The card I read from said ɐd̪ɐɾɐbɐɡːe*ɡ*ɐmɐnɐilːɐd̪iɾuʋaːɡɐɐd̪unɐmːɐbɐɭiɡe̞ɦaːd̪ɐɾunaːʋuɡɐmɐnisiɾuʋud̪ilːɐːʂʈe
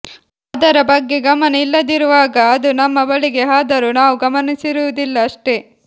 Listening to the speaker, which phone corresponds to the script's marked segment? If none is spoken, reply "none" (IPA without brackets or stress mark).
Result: ɡ